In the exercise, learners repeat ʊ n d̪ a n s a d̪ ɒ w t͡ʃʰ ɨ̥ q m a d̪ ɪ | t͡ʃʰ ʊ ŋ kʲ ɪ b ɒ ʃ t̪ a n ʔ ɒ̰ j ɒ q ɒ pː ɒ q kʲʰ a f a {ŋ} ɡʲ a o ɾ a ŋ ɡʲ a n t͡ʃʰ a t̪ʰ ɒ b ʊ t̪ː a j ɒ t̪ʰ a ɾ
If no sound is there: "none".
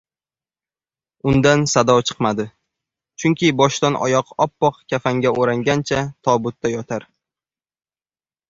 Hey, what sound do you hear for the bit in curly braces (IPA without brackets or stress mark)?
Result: ŋ